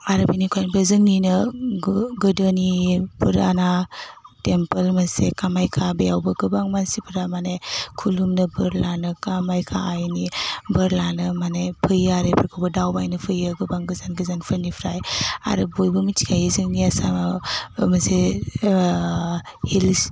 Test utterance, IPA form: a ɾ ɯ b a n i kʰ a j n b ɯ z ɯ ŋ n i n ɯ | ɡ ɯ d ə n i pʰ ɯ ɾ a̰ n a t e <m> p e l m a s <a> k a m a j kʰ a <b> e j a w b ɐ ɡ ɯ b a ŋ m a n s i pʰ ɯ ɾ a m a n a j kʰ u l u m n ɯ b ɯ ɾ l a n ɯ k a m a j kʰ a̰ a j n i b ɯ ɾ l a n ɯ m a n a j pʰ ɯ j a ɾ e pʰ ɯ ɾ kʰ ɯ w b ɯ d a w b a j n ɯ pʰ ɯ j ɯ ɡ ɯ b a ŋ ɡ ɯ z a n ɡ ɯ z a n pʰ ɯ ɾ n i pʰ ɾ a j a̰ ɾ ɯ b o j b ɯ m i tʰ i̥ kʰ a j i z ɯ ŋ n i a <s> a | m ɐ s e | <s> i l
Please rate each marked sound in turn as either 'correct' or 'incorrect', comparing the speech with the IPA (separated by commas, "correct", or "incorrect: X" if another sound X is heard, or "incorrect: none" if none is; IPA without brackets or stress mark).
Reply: correct, incorrect: e, correct, correct, incorrect: h